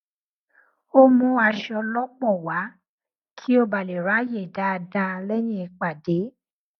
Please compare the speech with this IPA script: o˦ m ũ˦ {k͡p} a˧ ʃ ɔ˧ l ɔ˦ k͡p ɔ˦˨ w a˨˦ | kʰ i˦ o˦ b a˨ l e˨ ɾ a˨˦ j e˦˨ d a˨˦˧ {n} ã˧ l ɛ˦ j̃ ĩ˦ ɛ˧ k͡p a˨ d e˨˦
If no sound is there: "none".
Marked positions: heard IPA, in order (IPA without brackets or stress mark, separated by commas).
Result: none, d